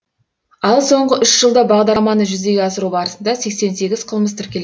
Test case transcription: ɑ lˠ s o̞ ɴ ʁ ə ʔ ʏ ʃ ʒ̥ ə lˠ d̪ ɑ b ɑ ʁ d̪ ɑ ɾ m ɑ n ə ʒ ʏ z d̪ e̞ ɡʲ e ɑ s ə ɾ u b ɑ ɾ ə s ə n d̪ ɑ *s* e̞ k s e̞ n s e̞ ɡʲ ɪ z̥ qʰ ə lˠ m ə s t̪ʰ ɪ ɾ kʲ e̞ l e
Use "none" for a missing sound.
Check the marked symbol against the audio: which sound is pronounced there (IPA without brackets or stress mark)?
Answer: s